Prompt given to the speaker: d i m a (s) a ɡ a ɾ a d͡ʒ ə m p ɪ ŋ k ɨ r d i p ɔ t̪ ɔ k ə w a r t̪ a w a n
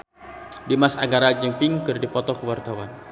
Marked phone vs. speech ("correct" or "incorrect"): correct